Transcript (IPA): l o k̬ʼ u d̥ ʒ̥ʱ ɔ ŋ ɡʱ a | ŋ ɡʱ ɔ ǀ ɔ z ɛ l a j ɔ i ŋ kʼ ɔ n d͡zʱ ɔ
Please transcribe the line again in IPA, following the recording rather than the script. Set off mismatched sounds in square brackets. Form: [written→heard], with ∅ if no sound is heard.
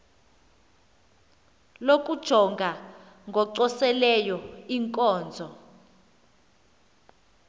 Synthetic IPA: l o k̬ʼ u d̥ ʒ̥ʱ ɔ ŋ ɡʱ a | ŋ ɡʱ ɔ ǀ ɔ [z→s] ɛ l [a→ɛ] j ɔ i ŋ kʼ [ɔ→ɔː] n d͡zʱ ɔ